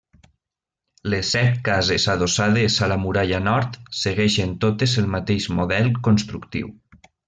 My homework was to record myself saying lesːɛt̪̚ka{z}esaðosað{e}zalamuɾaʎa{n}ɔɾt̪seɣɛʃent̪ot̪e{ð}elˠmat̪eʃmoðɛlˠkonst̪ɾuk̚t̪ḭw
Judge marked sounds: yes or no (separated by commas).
yes, yes, yes, no